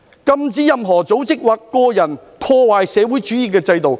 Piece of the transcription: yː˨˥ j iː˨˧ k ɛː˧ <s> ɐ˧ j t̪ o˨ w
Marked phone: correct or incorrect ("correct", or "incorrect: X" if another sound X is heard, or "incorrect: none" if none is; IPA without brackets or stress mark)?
incorrect: t͡s